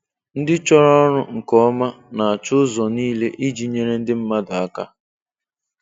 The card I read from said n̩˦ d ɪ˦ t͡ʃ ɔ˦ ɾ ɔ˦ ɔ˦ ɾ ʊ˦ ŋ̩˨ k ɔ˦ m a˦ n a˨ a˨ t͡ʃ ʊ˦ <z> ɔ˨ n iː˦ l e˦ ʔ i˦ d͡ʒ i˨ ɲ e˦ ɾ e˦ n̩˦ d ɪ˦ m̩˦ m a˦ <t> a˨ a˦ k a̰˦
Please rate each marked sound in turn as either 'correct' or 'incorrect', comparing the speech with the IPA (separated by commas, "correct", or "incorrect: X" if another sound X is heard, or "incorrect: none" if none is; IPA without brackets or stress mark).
correct, incorrect: d